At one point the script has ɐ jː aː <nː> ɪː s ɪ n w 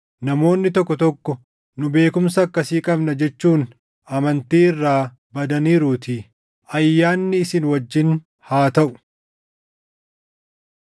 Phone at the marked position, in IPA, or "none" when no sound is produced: nː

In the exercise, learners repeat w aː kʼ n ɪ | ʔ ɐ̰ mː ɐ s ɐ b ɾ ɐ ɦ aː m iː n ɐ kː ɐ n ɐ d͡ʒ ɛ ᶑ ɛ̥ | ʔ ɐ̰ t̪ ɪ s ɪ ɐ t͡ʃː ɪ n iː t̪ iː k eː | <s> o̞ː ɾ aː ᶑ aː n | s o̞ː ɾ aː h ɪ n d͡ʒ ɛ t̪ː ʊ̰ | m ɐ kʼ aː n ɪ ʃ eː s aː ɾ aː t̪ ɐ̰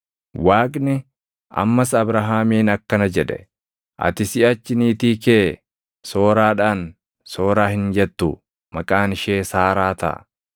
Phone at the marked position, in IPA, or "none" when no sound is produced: s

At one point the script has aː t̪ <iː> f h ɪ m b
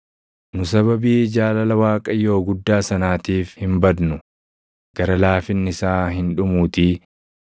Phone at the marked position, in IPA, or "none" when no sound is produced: iː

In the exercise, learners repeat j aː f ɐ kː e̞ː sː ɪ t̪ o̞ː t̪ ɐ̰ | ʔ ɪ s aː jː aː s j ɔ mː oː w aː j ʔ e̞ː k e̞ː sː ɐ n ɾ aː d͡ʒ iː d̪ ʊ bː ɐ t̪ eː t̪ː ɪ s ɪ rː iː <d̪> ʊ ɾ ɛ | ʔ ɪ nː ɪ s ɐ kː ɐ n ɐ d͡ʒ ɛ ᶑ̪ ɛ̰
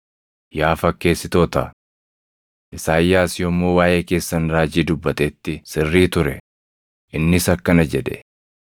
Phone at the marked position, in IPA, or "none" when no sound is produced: t̪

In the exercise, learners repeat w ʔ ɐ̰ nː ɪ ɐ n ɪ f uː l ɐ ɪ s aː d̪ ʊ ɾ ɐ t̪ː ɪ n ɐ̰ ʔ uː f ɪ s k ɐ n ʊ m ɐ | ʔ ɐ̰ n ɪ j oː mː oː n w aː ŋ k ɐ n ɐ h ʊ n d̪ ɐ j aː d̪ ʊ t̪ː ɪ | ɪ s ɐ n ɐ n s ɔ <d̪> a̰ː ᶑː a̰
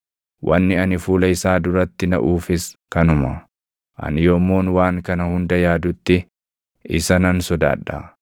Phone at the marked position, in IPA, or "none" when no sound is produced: d̪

